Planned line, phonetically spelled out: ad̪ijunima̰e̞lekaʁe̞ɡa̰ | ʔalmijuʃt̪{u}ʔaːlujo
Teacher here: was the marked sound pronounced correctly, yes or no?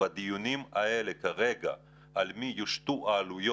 yes